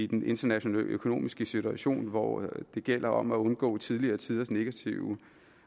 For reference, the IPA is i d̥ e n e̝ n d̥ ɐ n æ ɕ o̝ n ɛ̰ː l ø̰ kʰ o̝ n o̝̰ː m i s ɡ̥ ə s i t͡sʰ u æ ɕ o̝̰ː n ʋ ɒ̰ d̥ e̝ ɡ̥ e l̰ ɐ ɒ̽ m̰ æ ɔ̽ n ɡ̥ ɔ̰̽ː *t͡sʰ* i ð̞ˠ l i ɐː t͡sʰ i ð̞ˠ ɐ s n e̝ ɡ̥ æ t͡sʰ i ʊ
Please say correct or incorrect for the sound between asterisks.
correct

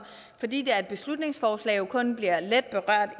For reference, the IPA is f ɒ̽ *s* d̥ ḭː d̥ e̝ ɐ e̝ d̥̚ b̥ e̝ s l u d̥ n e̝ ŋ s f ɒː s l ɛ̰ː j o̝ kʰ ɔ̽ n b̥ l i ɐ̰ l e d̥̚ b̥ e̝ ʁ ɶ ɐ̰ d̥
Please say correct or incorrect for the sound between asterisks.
incorrect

